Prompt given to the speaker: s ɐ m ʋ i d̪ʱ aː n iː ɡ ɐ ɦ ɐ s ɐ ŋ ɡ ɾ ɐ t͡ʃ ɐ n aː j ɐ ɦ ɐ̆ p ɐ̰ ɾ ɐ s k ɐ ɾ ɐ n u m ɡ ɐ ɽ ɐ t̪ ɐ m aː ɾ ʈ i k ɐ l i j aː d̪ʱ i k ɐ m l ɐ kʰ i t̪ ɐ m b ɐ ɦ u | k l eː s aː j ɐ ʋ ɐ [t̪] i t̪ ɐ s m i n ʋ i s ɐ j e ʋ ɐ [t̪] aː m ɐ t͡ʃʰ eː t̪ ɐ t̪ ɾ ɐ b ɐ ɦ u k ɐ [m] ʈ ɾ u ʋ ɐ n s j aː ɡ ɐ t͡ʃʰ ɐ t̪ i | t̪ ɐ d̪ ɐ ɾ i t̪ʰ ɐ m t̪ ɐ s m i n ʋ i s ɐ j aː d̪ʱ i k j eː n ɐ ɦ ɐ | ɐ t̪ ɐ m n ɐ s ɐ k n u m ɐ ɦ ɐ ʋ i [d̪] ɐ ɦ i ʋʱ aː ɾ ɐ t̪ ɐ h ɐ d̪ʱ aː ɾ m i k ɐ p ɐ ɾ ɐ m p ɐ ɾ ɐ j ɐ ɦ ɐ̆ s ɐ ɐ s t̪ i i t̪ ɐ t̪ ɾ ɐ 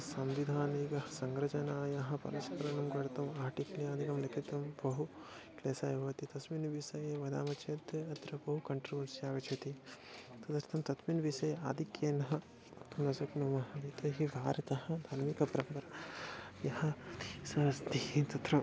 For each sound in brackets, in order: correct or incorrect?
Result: correct, incorrect: d̪, incorrect: ɳ, incorrect: t̪

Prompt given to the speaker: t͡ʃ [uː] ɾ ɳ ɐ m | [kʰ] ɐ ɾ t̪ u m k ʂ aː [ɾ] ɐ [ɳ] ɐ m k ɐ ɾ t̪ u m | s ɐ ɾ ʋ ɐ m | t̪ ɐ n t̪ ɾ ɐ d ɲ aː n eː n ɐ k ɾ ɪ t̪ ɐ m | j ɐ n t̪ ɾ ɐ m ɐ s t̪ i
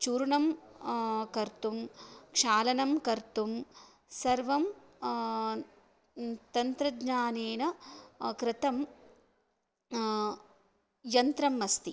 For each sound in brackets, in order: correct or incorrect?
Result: correct, incorrect: k, incorrect: l, incorrect: n

